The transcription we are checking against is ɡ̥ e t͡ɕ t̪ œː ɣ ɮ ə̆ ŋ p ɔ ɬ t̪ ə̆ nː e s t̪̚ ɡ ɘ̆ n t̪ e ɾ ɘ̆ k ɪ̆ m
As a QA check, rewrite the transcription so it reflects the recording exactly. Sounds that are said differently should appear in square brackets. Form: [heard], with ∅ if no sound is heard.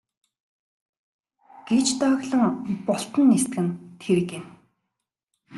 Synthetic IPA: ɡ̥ e t͡ɕ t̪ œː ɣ ɮ ə̆ ŋ p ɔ ɬ t̪ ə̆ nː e s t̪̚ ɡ ɘ̆ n [t̪ʰ] e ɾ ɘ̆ k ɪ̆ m

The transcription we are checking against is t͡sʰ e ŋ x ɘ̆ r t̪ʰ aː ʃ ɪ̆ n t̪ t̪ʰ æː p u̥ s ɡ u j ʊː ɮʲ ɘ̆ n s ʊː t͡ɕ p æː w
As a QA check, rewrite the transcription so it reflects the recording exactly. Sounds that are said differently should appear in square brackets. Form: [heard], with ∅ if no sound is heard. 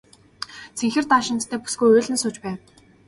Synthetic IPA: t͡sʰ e ŋ x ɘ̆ r [t̪] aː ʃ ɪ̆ n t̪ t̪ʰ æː p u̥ s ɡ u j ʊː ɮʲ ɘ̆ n s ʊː t͡ɕ p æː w

